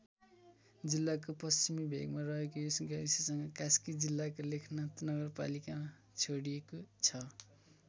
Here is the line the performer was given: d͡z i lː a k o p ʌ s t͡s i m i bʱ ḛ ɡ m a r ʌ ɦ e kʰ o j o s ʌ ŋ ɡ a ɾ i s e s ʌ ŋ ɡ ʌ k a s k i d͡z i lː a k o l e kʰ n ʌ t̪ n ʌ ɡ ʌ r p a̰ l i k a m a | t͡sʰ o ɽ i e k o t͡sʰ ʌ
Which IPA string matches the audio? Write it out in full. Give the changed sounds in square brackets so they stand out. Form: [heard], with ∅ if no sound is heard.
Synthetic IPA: d͡z i lː a k o p ʌ s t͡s i m i bʱ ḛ ɡ m a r ʌ ɦ e [k] o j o s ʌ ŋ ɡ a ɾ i s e s ʌ ŋ ɡ ʌ k a s k i d͡z i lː a k o l e kʰ n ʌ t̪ n ʌ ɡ ʌ r p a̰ l i k a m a | t͡sʰ o ɽ i e k o t͡sʰ ʌ